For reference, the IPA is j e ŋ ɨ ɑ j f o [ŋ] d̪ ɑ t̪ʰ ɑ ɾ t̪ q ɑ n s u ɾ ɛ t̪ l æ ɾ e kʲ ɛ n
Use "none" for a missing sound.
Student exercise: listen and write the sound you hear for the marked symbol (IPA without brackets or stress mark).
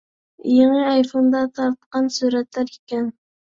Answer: n